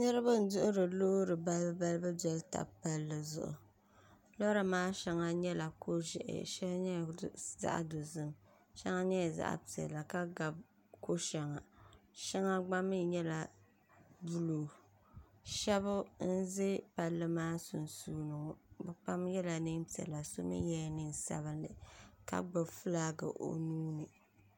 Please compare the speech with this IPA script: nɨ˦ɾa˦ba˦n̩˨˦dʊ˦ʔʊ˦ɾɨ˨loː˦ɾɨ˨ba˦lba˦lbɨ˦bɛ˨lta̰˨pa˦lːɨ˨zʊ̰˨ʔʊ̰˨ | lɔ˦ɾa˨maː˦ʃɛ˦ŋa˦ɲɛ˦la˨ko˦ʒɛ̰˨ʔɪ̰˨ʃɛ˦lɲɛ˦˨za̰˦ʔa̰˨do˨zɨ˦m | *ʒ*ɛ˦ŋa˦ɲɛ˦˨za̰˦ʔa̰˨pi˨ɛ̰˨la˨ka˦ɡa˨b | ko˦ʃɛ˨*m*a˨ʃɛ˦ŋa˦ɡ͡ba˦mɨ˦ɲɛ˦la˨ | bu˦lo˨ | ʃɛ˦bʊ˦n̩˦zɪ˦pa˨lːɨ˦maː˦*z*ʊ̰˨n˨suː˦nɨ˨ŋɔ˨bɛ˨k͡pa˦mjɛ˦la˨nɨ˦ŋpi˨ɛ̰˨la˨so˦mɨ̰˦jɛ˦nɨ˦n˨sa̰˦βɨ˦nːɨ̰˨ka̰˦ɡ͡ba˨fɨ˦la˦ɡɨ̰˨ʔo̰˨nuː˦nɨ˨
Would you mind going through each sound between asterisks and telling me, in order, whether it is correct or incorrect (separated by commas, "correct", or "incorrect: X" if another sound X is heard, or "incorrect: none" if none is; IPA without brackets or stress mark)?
incorrect: ʃ, incorrect: ŋ, incorrect: s